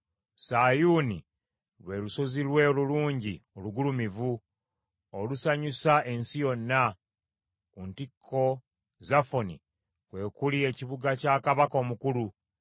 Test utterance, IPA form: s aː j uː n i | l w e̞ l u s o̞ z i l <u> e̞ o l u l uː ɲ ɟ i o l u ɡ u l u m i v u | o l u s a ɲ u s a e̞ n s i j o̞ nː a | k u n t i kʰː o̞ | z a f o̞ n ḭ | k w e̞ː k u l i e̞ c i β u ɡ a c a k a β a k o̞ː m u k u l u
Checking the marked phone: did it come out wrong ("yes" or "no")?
yes